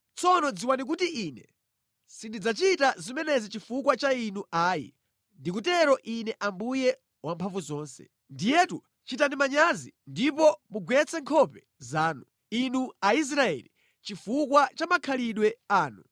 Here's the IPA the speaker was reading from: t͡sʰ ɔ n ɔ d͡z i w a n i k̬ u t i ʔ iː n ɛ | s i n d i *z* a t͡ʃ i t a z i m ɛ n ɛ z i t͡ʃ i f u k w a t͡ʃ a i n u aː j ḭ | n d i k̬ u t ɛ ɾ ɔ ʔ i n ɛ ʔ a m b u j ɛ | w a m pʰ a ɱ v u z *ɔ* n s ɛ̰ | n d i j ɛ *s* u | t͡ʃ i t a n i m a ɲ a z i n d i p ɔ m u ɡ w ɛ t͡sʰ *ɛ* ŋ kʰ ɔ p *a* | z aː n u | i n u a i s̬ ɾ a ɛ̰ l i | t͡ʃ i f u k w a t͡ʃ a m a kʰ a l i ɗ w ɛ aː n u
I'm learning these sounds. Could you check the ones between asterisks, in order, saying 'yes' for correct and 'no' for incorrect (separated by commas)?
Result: no, no, no, yes, no